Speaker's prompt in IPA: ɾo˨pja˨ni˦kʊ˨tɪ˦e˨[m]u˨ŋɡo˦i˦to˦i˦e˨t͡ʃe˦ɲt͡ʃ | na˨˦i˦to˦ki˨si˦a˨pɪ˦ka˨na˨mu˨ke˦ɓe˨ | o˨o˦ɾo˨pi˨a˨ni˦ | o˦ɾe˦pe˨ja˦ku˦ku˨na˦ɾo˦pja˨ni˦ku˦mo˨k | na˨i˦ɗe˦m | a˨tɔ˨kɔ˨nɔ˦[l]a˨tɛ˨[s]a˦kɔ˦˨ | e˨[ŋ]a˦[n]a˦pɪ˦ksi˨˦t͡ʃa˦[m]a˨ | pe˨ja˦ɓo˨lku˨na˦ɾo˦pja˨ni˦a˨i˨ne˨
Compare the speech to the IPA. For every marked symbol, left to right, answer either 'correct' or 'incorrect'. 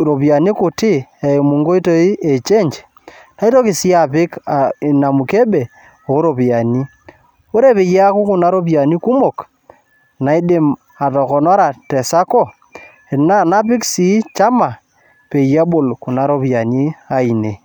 correct, incorrect, correct, incorrect, correct, correct

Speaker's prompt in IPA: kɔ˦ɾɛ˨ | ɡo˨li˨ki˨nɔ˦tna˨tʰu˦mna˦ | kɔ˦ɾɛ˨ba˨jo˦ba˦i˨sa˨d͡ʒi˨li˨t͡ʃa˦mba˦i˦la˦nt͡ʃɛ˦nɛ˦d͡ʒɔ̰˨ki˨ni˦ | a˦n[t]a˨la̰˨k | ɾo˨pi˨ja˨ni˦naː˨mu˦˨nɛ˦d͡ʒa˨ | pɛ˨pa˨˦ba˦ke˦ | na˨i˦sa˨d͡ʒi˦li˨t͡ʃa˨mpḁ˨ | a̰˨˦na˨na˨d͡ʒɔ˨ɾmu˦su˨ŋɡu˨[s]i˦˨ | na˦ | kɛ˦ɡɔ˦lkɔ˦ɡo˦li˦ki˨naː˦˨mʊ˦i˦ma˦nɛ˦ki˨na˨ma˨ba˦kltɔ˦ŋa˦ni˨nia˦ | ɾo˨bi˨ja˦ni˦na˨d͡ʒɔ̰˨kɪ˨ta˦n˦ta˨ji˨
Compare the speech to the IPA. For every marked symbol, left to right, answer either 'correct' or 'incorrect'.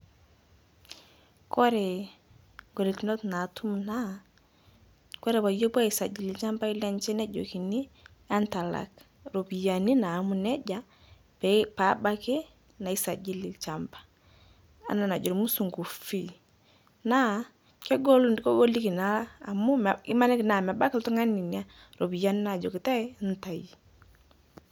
correct, incorrect

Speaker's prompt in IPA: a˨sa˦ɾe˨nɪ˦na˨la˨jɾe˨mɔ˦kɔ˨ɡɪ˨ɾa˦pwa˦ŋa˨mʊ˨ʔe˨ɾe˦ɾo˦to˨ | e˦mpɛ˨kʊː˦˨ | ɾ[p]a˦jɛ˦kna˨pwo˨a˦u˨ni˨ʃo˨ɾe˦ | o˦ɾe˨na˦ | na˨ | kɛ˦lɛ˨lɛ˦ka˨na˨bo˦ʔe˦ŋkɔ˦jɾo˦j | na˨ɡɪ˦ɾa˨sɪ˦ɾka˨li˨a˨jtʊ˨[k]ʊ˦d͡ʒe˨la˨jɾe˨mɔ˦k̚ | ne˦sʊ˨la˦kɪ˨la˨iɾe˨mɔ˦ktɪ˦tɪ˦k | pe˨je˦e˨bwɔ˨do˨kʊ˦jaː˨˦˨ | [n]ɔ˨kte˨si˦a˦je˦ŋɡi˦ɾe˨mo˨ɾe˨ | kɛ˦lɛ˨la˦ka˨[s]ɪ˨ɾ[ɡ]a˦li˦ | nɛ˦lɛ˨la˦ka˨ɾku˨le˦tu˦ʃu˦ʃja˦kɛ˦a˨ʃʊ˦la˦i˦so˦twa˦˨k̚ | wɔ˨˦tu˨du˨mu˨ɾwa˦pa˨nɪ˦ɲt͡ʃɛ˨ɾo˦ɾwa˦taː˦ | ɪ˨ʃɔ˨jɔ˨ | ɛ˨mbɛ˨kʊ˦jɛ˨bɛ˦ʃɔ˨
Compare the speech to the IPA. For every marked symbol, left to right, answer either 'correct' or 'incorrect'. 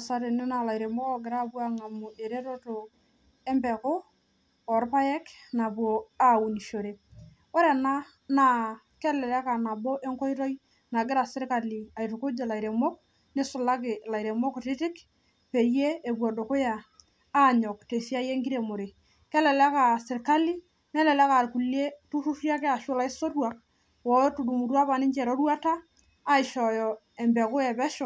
correct, correct, incorrect, correct, incorrect

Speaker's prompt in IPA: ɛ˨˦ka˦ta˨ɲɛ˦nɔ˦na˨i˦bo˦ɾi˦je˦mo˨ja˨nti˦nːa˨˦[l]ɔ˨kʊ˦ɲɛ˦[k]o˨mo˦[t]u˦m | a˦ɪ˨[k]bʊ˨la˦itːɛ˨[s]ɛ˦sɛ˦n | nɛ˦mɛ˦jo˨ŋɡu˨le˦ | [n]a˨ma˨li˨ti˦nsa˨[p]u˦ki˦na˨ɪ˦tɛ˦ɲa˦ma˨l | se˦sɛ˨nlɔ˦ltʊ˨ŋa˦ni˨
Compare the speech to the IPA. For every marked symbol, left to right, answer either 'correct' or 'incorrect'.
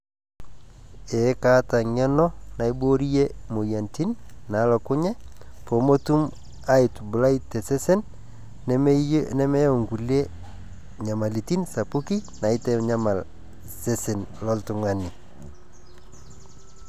correct, incorrect, correct, incorrect, correct, incorrect, correct

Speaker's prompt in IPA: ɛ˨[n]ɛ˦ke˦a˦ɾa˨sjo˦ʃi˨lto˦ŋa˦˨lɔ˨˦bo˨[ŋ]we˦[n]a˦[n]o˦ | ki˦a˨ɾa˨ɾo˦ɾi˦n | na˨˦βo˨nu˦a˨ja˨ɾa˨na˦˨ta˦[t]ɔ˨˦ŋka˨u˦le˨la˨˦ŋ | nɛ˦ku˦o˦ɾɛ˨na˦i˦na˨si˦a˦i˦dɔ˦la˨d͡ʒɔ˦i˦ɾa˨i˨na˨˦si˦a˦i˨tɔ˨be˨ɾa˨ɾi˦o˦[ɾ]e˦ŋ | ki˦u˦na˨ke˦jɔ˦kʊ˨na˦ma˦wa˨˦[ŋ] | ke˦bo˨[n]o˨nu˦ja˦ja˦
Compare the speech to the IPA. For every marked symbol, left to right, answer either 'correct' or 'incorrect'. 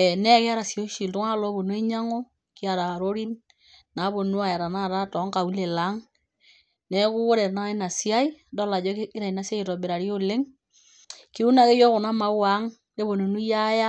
correct, incorrect, incorrect, incorrect, correct, incorrect, correct, correct

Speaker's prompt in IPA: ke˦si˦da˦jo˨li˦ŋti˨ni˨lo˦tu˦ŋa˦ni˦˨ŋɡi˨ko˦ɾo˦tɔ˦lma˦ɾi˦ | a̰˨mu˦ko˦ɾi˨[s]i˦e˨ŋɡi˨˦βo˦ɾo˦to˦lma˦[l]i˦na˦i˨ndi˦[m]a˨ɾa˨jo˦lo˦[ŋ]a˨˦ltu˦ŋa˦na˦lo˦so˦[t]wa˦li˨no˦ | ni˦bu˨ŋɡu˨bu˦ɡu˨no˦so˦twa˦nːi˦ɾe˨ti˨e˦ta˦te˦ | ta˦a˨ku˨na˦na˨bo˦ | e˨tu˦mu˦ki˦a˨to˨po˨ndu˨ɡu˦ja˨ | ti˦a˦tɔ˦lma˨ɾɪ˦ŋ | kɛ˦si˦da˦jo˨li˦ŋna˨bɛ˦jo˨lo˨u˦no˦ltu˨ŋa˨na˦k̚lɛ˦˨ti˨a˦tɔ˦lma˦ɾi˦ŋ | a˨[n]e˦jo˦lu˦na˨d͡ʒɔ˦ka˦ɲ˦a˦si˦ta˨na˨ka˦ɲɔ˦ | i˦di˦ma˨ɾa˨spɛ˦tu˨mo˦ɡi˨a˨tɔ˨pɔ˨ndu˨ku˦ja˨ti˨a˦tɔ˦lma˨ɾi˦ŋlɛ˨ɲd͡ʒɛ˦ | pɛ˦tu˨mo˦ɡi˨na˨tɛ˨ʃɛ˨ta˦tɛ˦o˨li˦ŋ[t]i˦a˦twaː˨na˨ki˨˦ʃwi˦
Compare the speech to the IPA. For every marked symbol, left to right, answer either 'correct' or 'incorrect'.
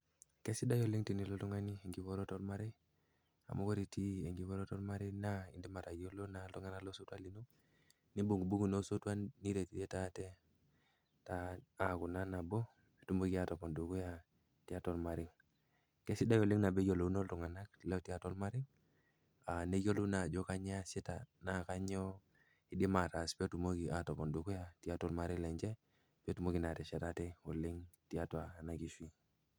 incorrect, incorrect, correct, incorrect, correct, correct, correct

